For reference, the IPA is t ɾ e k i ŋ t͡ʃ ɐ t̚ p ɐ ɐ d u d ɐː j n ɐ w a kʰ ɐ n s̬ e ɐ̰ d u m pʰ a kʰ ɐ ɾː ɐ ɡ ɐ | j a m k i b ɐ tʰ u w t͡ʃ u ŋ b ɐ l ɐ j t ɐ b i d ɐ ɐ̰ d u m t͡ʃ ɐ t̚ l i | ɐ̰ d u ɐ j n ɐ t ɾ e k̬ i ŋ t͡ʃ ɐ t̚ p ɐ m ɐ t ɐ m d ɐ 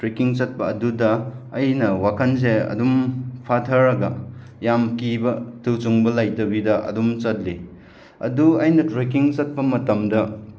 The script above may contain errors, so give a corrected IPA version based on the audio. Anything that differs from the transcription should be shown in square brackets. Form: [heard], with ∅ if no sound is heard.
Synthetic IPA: t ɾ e k i ŋ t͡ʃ ɐ t̚ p ɐ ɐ d u d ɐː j n ɐ w a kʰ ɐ n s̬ e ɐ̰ d u m pʰ a [tʰ] ɐ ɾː ɐ ɡ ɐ | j a m k i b ɐ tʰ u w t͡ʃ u ŋ b ɐ l [a] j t ɐ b i d ɐ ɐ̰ d u m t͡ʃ ɐ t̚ l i | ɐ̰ d u ɐ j n ɐ t ɾ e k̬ i ŋ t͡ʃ ɐ t̚ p ɐ m ɐ t ɐ m d ɐ